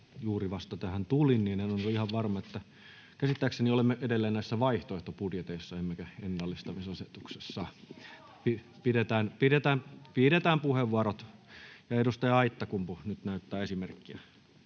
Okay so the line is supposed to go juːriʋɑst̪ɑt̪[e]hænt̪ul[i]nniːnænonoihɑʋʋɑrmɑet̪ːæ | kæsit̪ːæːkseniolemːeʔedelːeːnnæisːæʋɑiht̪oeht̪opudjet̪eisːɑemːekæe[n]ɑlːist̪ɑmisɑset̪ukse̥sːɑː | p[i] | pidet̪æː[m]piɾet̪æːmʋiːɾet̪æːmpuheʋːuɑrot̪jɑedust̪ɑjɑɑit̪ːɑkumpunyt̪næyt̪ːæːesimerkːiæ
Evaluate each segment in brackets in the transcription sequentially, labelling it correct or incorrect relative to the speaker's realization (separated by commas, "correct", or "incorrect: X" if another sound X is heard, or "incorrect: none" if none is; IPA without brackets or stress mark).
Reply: incorrect: æ, correct, incorrect: nː, correct, incorrect: n